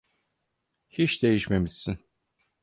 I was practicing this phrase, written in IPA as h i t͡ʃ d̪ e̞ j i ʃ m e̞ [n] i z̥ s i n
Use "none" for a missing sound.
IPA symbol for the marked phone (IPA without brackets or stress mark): m